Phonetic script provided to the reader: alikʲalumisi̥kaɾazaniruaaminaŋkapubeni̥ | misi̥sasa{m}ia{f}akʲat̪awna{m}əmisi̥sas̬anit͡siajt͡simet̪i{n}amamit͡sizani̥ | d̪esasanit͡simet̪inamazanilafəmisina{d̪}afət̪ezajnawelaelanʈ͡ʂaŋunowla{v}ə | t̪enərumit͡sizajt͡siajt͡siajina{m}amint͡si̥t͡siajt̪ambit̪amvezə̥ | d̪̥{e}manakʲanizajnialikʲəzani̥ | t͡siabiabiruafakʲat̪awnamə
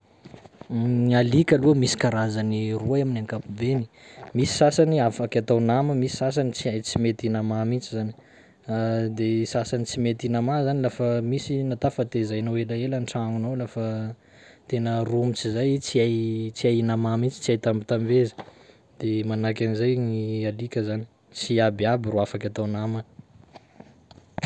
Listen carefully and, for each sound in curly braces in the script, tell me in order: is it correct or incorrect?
incorrect: n, correct, correct, correct, incorrect: t̪, incorrect: f, correct, correct

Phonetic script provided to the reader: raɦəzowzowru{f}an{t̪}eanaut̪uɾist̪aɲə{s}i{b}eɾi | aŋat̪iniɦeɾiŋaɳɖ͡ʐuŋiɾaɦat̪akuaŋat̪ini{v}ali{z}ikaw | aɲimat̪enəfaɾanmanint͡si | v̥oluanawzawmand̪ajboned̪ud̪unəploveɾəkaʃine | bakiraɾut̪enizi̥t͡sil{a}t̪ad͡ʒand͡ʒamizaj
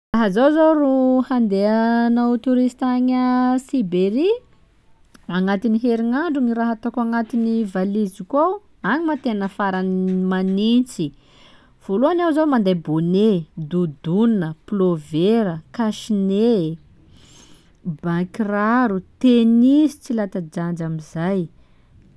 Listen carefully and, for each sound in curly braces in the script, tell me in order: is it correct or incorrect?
incorrect: h, incorrect: d̪, correct, correct, correct, correct, correct

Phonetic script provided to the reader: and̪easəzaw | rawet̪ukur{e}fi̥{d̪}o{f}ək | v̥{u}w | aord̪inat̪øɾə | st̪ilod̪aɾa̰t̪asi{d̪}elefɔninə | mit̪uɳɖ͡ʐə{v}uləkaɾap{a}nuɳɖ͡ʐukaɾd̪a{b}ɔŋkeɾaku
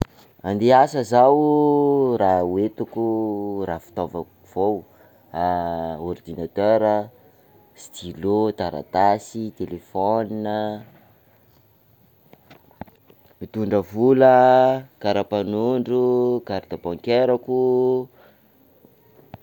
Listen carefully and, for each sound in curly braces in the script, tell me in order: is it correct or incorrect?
incorrect: a, incorrect: t̪, incorrect: v, incorrect: o, incorrect: t̪, correct, correct, correct

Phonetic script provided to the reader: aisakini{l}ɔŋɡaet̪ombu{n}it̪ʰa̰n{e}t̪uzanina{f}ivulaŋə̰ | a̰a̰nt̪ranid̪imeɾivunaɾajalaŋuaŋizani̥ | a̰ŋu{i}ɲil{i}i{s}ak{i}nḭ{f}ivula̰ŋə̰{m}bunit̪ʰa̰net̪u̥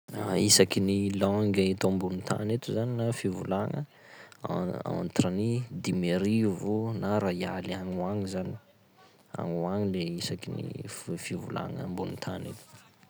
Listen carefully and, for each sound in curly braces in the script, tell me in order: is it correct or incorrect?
correct, correct, correct, correct, incorrect: a, incorrect: e, correct, correct, correct, correct

